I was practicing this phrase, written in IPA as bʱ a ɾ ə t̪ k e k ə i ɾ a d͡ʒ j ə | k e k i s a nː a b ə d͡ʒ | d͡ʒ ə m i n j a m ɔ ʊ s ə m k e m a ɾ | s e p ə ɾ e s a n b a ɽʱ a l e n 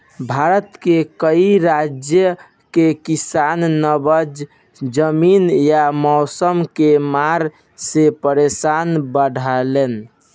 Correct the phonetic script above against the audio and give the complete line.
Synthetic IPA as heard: bʱ a ɾ ə t̪ k e k ə i ɾ a d͡ʒ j ə | k e k i s a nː ə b ə d͡ʒ | d͡ʒ ə m i n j a m ɔ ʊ s ə m k e m a ɾ | s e p ə ɾ e s a n b ə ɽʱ a l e n